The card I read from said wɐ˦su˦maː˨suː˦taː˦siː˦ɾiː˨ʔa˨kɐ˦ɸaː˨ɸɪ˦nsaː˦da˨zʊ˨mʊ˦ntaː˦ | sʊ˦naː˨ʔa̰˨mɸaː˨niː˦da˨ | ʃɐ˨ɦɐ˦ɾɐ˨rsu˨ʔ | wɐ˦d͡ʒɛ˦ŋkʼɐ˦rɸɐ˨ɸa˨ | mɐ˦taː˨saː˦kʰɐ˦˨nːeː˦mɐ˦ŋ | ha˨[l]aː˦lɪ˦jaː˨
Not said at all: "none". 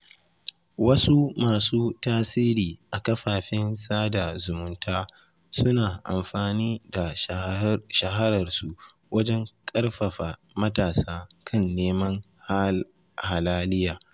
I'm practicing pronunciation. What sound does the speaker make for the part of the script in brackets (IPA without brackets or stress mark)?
l